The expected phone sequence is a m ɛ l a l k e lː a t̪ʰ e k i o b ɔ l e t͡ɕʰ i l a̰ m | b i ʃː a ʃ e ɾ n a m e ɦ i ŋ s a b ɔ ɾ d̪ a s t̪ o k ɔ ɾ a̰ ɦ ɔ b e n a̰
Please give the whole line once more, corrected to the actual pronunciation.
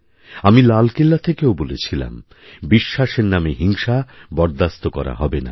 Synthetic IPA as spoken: a m i l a l k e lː a t̪ʰ e k e o b o l e t͡ɕʰ i l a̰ m | b i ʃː a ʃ e ɾ n a m e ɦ i ŋ ʃ a b ɔ ɾ d̪ a s t̪ o k ɔ ɾ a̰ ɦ ɔ b e n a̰